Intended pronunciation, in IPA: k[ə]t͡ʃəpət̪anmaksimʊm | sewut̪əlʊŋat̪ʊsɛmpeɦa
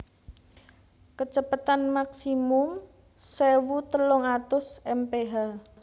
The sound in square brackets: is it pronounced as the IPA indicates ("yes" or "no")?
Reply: yes